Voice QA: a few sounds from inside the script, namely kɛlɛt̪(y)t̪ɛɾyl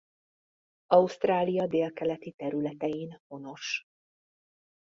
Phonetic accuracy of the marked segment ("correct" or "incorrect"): incorrect